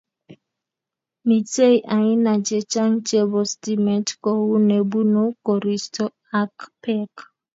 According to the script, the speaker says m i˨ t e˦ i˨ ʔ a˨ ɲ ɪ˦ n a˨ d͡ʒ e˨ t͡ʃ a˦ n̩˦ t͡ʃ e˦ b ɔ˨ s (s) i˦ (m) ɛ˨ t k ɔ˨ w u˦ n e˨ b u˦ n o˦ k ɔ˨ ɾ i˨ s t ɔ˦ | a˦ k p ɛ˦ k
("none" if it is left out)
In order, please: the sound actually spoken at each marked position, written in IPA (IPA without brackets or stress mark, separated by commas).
t, m